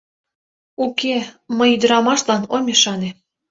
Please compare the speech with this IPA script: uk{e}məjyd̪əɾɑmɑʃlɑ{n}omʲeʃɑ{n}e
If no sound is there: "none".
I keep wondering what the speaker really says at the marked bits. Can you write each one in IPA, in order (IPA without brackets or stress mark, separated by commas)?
e, n, n